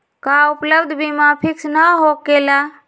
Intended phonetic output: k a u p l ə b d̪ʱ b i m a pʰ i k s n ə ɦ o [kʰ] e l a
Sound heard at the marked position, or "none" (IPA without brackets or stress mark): k